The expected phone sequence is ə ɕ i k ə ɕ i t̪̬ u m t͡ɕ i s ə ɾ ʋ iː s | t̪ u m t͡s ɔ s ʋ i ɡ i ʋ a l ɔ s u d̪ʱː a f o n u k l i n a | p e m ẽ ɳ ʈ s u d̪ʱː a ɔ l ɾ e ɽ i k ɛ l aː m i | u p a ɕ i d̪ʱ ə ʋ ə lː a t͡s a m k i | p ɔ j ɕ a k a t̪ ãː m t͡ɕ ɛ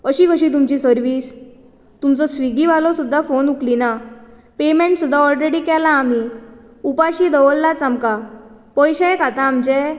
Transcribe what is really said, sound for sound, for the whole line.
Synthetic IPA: ə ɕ i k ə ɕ i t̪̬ u m t͡ɕ i s ə ɾ ʋ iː s | t̪ u m t͡s ɔ s ʋ i ɡ i ʋ a l ɔ s u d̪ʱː a f o n u k l i n a | p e m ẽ ɳ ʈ s u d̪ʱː a ɔ l ɾ e ɽ i k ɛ l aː m i | u p a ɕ i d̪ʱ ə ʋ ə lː a t͡s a m k a | p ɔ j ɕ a k a t̪ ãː m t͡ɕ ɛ